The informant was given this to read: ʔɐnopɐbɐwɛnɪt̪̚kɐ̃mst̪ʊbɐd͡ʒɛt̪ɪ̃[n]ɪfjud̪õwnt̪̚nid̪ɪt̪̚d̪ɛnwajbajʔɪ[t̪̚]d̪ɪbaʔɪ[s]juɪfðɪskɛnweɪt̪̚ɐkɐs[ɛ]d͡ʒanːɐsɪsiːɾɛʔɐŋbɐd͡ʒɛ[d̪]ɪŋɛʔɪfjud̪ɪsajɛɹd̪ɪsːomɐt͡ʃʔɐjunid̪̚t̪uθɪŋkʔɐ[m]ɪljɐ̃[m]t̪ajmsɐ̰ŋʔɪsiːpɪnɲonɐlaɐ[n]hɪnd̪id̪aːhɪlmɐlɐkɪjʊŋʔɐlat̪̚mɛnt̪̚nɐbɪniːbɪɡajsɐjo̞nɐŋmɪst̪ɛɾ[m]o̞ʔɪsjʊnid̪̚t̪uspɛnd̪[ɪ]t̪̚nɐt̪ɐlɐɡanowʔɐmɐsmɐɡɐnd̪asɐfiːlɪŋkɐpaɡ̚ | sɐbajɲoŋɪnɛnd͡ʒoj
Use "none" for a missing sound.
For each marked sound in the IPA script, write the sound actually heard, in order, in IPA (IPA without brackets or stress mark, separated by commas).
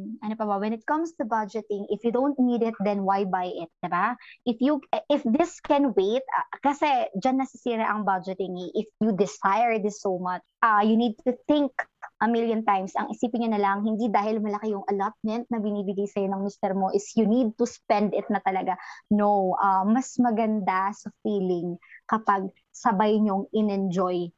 ŋ, t̪̚, f, ɛ, t̪, m, n, ŋ, m, ɪ